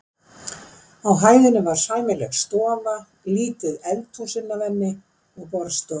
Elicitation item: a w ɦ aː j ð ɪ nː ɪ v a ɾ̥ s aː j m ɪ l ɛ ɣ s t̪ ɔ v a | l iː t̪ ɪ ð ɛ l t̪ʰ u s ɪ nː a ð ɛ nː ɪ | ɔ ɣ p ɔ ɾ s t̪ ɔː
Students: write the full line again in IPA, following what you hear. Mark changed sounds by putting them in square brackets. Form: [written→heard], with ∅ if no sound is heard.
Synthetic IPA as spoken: a w ɦ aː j ð ɪ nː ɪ v a ɾ̥ s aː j m ɪ l ɛ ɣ s t̪ [ɔ→ɔː] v a | l iː t̪ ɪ ð ɛ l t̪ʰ u s ɪ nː a [ð→v] ɛ nː ɪ | ɔ ɣ p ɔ ɾ s t̪ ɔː